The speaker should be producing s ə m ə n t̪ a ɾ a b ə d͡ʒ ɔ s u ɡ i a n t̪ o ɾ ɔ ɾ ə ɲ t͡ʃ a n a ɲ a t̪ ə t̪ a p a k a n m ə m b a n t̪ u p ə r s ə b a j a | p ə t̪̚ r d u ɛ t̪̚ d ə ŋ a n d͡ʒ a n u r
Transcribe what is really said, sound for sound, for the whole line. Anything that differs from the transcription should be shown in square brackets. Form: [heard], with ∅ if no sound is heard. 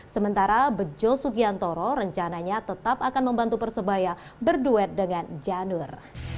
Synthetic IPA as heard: s ə m ə n t̪ a ɾ a b ə d͡ʒ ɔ s u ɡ i a n t̪ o ɾ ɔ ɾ ə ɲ t͡ʃ a n a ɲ a t̪ ə t̪ a p a k a n m ə m b a n t̪ u p ə r s ə b a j a | [b] ə [∅] r d u ɛ t̪̚ d ə ŋ a n d͡ʒ a n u r